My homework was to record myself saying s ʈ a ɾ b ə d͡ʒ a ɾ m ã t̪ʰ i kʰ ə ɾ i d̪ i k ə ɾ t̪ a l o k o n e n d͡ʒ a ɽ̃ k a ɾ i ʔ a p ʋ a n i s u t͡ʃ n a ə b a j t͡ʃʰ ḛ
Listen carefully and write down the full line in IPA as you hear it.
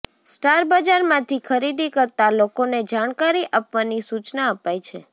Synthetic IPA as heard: s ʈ a ɾ b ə d͡ʒ a ɾ m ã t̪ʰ i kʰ ə ɾ i d̪ i k ə ɾ t̪ a l o k o n e d͡ʒ a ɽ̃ k a ɾ i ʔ a p ʋ a n i s u t͡ʃ n a ə p a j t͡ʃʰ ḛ

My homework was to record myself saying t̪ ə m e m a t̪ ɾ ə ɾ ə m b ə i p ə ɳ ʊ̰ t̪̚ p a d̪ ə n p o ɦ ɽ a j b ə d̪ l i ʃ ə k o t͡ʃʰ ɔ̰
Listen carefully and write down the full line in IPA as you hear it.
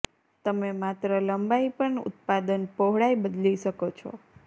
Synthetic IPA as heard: t̪ ə m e m a t̪ ɾ ə l ə m b a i p ə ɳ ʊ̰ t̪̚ p a d̪ ə n p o ɦ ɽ a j b ə d̪ l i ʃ ə k o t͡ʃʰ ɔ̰

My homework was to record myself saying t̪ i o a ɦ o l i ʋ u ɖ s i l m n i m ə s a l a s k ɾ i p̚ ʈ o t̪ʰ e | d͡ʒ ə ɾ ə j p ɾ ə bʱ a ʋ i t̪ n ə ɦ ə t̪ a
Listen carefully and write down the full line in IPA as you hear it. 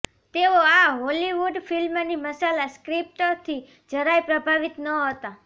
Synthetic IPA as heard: t̪ e o a ɦ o l i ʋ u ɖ f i l m n i m ə s a l a s k ɾ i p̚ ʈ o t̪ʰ i | d͡ʒ ə ɾ a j p ɾ ə bʱ a ʋ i t̪ n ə ɦ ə t̪ a

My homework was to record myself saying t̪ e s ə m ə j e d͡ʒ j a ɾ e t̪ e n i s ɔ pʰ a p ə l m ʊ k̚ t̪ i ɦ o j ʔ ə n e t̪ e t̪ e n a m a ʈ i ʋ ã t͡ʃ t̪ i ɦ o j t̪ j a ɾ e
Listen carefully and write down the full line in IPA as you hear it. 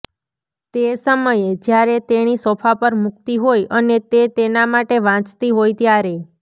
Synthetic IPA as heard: t̪ e s ə m ə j e d͡ʒ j a ɾ e t̪ e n i s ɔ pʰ a p ə ɾ m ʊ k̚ t̪ i ɦ o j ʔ ə n e t̪ e t̪ e n a m a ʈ e ʋ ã t͡ʃ t̪ i ɦ o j t̪ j a ɾ e

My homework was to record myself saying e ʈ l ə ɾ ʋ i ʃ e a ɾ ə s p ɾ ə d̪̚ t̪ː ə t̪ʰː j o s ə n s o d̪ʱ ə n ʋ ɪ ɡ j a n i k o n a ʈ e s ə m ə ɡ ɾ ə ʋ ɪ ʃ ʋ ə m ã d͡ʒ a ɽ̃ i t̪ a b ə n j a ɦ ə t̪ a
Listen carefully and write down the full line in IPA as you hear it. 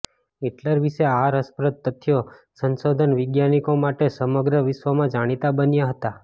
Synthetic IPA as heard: e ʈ l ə ɾ ʋ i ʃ e a ɾ ə s p ɾ ə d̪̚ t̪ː ə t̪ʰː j o s ə n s o d̪ʱ ə n ʋ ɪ ɡ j a n i k o m a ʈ e s ə m ə ɡ ɾ ə ʋ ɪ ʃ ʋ ə m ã d͡ʒ a ɽ̃ i t̪ a b ə n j a ɦ ə t̪ a

